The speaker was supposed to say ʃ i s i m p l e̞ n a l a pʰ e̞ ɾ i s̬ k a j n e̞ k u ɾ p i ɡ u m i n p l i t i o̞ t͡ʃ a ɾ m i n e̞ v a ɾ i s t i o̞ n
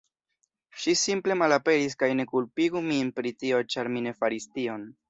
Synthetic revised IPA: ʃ i s i m p l e̞ m a l a p e̞ ɾ i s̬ k a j n e̞ k u l p i ɡ u m i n p ɾ i t i o̞ t͡ʃ a ɾ m i n e̞ f a ɾ i s t i o̞ n